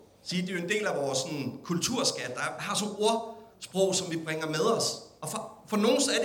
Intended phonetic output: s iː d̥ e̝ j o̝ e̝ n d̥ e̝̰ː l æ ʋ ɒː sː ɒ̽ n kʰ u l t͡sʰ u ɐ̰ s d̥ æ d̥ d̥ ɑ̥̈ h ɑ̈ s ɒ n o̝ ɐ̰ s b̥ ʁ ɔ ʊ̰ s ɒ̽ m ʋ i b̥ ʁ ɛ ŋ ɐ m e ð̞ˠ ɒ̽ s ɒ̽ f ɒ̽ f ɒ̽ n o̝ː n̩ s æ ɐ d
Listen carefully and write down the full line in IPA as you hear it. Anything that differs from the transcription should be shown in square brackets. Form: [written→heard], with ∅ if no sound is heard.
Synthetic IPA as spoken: s iː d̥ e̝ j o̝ e̝ n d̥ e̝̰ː l æ ʋ ɒː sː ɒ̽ n kʰ u l t͡sʰ u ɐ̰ s [d̥→ɡ̥] æ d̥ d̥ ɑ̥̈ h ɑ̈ s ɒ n o̝ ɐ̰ s b̥ ʁ ɔ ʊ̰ s ɒ̽ m ʋ i b̥ ʁ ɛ ŋ ɐ m e ð̞ˠ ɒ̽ s ɒ̽ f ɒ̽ f ɒ̽ n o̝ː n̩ s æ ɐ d